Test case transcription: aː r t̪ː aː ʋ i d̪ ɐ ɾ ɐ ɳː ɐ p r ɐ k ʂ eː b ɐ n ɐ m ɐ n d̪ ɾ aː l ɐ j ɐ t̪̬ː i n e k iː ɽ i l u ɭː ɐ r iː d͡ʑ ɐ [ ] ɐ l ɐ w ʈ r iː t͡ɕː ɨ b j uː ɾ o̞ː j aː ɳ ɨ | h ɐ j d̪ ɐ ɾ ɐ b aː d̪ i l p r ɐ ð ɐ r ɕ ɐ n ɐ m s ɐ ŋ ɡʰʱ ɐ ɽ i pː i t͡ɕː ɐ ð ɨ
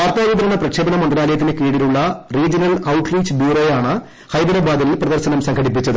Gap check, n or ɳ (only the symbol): n